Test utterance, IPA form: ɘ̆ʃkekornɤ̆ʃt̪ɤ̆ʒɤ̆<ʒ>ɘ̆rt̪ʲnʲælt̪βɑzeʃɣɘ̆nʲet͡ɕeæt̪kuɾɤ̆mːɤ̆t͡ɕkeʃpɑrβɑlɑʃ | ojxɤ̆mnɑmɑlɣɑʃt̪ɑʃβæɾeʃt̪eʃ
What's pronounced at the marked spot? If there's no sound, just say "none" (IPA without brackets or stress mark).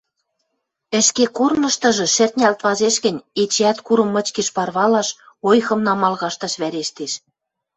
ʃ